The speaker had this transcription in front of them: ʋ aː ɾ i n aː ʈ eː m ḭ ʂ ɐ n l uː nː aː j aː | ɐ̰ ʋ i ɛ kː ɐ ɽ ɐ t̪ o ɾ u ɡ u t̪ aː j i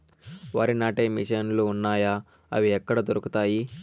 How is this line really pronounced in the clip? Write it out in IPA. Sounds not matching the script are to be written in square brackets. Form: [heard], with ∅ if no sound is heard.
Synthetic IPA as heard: ʋ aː ɾ i n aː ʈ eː m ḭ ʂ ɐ n l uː nː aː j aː | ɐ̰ ʋ i ɛ kː ɐ ɽ ɐ [d̪] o ɾ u [k] u t̪ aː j i

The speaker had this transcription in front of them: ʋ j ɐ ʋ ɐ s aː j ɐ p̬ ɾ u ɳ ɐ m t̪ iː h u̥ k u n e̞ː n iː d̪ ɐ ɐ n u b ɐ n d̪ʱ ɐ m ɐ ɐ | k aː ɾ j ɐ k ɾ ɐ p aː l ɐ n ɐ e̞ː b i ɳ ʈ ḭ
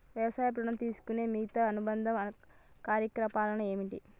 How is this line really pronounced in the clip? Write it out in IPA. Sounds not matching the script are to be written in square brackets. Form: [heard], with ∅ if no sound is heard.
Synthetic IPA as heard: ʋ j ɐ ʋ ɐ s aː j ɐ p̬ ɾ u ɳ ɐ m t̪ iː [s] u̥ k u n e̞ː [m] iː [t̪] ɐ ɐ n u b ɐ n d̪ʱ ɐ m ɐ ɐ | k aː ɾ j ɐ k ɾ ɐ p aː l ɐ n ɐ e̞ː [m] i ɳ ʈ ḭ

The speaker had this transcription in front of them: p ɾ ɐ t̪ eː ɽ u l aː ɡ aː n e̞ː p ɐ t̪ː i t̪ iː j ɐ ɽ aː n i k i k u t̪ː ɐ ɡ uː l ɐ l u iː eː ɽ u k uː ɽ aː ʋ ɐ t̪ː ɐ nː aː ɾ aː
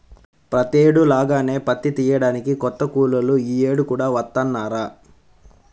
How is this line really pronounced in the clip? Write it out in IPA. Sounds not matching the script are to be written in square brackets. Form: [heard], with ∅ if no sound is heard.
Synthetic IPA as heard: p ɾ ɐ t̪ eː ɽ u l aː ɡ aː n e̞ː p ɐ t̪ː i t̪ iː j ɐ ɽ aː n i k i k [ɔ] t̪ː ɐ [k] uː l ɐ l u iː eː ɽ u k uː ɽ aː ʋ ɐ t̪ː ɐ nː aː ɾ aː

